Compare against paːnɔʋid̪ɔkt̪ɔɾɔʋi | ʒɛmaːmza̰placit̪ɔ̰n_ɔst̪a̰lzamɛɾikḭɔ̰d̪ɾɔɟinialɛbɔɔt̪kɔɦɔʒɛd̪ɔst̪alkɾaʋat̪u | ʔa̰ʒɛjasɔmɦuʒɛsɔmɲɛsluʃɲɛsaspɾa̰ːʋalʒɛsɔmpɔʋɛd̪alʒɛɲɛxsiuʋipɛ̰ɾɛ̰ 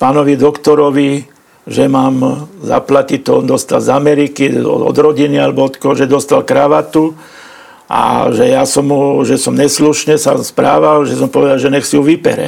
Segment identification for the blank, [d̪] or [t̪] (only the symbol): d̪